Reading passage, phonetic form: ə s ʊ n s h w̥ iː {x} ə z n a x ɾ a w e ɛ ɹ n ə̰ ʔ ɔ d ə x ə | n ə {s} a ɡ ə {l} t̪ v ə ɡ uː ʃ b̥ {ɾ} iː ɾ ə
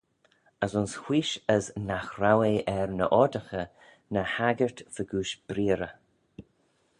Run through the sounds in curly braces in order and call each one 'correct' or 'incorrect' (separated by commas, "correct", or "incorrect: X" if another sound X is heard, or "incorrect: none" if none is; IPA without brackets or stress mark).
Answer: incorrect: ʃ, incorrect: h, incorrect: ɹ, correct